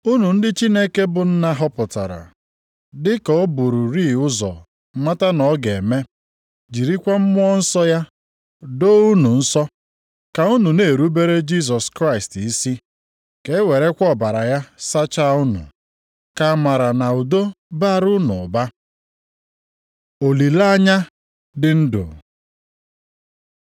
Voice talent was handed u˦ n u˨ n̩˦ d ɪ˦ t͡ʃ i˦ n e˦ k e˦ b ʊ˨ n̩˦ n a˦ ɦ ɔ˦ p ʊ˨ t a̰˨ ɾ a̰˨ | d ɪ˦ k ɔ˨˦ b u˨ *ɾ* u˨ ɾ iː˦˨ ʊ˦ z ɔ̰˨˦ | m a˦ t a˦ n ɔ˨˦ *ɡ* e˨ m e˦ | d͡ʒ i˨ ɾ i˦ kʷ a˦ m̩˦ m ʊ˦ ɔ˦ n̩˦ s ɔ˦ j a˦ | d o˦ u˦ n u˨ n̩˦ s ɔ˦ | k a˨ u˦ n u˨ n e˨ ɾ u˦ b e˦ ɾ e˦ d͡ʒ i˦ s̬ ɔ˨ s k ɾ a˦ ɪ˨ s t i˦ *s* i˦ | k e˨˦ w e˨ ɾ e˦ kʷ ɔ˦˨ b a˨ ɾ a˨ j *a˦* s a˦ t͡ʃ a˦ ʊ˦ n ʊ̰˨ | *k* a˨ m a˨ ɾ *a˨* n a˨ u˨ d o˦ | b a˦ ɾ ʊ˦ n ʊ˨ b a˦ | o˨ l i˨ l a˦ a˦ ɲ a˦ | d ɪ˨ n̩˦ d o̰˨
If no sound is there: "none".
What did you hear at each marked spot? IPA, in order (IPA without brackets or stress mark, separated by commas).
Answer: ɾ, ɡ, s, a˦, k, a˨